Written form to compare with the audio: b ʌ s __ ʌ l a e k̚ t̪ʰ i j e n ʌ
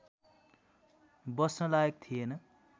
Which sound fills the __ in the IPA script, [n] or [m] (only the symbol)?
n